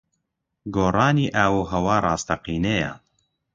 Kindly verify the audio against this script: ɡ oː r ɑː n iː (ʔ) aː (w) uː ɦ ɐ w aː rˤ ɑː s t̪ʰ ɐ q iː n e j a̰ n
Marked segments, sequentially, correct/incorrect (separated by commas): correct, correct